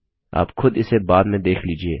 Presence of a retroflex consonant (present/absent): absent